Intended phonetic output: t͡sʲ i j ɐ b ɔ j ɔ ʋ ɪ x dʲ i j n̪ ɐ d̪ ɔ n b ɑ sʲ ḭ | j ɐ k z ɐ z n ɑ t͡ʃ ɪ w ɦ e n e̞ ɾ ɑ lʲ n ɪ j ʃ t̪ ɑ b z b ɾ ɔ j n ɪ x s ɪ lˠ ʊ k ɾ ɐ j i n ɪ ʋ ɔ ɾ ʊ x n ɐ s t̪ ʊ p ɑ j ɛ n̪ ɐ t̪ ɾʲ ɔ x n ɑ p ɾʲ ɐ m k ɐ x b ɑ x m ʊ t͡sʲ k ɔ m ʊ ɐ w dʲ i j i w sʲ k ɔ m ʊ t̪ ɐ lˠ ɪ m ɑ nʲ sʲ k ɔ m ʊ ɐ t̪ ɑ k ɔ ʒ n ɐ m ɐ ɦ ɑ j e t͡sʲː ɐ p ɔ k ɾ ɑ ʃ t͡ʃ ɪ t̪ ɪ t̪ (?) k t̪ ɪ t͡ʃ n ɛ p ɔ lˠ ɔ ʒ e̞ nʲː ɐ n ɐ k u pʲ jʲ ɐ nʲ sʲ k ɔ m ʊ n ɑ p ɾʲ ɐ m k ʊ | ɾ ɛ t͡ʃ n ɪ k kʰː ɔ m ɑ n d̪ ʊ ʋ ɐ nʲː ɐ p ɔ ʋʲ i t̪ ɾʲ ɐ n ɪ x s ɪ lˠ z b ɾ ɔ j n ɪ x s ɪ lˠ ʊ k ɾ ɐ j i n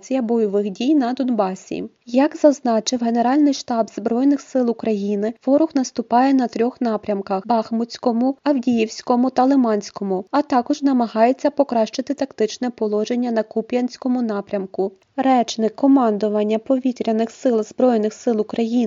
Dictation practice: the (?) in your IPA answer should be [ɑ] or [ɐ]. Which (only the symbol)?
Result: ɐ